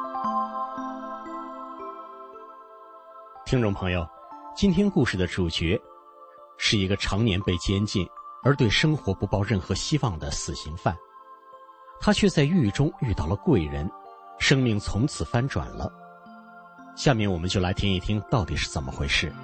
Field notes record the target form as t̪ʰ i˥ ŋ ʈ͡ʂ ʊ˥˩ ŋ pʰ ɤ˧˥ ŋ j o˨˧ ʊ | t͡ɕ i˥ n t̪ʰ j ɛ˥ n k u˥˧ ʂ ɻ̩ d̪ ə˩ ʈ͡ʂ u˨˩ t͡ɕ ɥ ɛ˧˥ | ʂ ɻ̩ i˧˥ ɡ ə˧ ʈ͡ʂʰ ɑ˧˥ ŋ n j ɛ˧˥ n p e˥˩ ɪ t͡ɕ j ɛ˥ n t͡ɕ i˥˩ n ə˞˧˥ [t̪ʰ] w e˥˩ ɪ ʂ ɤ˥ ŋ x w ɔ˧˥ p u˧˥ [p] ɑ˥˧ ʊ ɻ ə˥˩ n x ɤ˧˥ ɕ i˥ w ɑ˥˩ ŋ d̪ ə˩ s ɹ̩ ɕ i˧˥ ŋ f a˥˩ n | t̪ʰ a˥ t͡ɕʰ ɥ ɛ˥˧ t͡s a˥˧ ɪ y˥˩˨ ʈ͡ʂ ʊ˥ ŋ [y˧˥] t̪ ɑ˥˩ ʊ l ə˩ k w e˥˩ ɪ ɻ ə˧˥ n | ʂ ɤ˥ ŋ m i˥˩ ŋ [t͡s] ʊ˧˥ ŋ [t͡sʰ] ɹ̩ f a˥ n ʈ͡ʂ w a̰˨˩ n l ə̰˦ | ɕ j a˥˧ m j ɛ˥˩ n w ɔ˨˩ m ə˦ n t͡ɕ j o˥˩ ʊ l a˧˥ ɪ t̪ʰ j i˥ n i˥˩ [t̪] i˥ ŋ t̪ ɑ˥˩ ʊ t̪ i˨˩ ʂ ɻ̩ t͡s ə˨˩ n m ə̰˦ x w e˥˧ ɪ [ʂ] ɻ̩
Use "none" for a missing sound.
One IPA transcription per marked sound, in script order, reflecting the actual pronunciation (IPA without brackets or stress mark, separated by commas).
t̪, p, y˥˧, t͡sʰ, t͡sʰ, t̪ʰ, ʂ